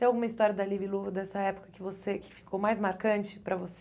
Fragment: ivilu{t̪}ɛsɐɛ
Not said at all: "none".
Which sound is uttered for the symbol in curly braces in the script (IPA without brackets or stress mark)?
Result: d̪